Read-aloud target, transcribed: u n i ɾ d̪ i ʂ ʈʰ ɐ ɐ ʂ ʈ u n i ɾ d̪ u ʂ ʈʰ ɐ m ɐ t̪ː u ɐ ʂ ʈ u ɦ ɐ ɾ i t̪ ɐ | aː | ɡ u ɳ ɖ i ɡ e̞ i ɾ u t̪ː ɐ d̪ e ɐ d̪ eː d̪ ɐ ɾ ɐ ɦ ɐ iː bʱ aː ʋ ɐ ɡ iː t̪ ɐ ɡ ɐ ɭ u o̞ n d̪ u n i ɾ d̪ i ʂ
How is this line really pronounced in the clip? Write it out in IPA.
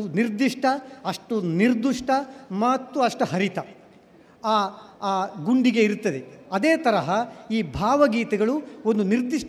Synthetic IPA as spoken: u n i ɾ d̪ i ʂ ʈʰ ɐ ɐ ʂ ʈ u n i ɾ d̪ u ʂ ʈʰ ɐ m ɐ t̪ː u ɐ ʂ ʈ u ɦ ɐ ɾ i t̪ ɐ | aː | ɡ u ɳ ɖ i ɡ e̞ i ɾ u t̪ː ɐ d̪ e ɐ d̪ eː t̪ ɐ ɾ ɐ ɦ ɐ iː bʱ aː ʋ ɐ ɡ iː t̪ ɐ ɡ ɐ ɭ u o̞ n d̪ u n i ɾ d̪ i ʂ